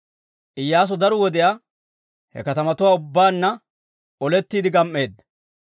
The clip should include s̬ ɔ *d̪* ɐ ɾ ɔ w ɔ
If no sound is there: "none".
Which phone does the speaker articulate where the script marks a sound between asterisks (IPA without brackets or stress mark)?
d̪